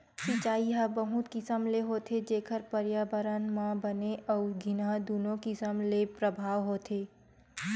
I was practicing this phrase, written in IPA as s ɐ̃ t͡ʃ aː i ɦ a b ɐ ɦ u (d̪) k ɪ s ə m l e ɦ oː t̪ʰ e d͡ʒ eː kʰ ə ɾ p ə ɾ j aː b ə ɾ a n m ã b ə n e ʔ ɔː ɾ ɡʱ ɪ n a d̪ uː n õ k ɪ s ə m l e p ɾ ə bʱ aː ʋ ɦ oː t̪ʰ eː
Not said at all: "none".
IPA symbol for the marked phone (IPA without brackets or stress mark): t̪